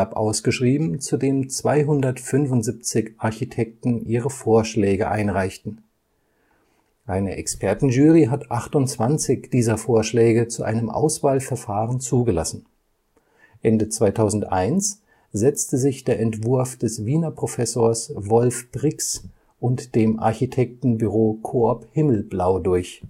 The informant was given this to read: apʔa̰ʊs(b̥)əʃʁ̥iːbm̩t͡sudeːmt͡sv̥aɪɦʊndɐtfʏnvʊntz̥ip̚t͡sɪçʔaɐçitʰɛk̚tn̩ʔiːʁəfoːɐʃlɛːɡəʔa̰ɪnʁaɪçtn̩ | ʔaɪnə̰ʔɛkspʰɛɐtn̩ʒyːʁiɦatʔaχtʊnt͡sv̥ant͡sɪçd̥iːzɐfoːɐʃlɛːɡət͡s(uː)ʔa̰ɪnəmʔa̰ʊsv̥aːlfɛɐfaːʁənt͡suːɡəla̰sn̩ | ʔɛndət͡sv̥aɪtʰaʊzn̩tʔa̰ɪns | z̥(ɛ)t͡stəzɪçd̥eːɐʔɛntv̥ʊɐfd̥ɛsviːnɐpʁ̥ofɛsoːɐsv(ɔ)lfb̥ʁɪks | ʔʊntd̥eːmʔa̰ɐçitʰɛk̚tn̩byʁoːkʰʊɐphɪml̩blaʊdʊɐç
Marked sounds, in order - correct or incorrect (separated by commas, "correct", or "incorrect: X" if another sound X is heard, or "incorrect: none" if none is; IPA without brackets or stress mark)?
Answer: incorrect: ɡ̥, incorrect: u, correct, correct